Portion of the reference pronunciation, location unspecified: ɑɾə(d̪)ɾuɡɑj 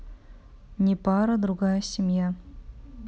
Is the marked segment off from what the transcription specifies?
no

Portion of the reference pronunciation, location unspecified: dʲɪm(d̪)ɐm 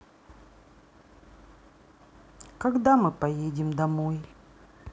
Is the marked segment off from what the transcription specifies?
no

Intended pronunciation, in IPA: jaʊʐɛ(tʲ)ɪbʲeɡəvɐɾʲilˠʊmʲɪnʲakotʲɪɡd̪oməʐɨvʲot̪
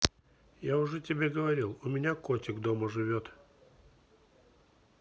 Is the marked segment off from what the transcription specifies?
no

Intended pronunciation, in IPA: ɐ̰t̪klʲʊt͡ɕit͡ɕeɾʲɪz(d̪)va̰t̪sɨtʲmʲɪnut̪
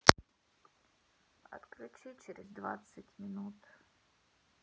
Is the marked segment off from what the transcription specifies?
no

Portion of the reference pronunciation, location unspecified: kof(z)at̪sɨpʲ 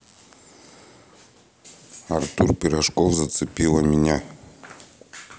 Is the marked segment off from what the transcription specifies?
no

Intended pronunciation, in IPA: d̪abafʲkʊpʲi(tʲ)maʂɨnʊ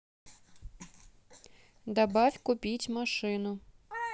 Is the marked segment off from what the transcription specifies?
no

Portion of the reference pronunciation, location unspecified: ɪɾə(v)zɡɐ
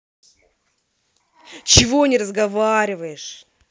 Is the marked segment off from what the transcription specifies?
yes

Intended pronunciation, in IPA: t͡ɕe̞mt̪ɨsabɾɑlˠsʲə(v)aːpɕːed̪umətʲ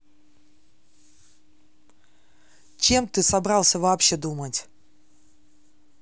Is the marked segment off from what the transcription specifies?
no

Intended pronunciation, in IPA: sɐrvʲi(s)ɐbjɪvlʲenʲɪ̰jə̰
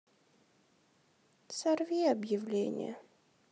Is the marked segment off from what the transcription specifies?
yes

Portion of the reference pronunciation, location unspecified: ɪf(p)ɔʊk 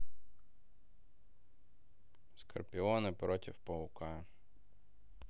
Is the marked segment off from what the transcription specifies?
no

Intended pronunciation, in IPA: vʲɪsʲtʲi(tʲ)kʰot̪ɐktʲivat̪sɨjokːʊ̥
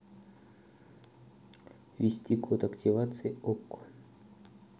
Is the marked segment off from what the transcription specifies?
yes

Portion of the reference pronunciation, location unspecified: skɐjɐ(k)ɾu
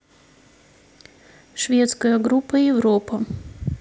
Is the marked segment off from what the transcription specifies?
yes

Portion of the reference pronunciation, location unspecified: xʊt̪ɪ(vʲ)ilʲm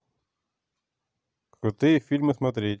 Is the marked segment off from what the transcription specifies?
yes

